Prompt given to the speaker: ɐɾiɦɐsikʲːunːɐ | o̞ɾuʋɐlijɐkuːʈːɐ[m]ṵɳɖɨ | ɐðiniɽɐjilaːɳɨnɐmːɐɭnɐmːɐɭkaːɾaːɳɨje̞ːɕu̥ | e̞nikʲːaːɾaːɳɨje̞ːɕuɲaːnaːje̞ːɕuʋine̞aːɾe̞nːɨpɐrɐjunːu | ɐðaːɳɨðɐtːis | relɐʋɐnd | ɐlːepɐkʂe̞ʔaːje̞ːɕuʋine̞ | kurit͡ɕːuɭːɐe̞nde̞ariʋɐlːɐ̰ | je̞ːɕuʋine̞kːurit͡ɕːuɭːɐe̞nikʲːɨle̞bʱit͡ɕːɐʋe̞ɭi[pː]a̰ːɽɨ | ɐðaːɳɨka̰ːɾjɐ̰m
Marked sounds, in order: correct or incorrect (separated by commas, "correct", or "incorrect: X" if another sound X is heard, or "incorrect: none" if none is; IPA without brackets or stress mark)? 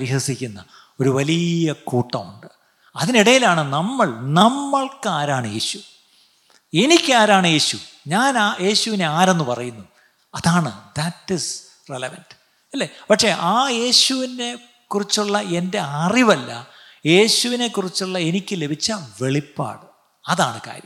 correct, correct